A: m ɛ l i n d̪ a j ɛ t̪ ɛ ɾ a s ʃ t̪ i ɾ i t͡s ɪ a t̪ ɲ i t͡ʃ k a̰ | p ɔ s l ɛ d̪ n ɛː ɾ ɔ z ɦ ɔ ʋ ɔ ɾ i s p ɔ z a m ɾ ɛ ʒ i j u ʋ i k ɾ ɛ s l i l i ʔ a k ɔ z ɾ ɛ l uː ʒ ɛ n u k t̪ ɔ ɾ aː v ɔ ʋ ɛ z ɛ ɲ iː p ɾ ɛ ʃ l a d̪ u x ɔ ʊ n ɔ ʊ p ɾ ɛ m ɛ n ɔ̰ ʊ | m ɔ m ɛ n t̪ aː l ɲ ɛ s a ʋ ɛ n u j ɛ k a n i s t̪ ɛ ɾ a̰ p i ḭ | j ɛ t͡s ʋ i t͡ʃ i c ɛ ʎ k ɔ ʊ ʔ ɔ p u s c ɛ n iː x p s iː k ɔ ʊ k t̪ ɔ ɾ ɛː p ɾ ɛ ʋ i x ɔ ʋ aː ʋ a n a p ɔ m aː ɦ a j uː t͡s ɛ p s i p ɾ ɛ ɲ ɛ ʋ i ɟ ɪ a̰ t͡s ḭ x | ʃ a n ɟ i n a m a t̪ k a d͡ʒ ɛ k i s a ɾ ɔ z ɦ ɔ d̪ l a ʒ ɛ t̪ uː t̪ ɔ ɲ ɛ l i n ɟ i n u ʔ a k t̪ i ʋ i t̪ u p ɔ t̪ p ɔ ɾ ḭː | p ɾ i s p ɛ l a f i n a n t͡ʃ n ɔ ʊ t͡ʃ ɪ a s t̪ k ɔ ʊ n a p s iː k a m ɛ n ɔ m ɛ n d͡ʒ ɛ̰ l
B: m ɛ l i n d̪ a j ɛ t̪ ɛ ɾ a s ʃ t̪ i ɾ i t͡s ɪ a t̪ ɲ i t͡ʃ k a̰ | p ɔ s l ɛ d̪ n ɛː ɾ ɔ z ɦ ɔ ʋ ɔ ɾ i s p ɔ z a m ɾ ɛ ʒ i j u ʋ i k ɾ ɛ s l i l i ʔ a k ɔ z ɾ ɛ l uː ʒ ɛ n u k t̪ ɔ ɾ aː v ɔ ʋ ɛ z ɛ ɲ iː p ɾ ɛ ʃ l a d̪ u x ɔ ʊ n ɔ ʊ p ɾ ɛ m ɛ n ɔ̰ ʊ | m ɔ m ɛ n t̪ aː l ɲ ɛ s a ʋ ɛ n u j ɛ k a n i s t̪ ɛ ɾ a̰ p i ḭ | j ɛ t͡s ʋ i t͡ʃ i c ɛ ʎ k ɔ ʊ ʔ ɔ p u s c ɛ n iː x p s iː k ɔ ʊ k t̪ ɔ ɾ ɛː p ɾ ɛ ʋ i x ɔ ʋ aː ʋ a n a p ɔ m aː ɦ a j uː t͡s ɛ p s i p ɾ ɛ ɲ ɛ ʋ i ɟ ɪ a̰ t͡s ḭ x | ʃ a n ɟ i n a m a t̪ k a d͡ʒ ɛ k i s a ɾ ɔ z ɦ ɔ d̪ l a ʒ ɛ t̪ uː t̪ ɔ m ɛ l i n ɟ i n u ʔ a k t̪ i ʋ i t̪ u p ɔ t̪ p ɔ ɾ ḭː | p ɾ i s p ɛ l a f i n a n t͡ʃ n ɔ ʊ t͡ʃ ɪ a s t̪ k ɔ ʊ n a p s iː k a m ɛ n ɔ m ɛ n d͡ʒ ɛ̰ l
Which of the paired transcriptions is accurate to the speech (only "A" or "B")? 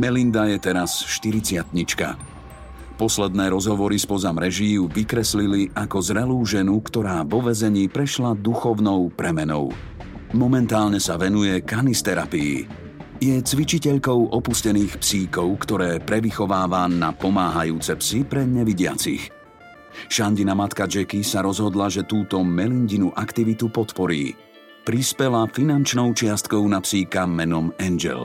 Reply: B